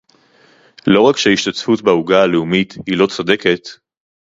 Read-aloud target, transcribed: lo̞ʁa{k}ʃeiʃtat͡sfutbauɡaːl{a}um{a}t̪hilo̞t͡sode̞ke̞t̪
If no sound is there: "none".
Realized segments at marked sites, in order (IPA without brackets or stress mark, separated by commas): k, e, i